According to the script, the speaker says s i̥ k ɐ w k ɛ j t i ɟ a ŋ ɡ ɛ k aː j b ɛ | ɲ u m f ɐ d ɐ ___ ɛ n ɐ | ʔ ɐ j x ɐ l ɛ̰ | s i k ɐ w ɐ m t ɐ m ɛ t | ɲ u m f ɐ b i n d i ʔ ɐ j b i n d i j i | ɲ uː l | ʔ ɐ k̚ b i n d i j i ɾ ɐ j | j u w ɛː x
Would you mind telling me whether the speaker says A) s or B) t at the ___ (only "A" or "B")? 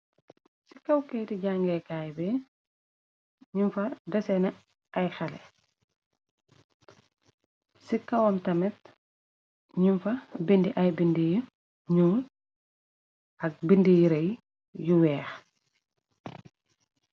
A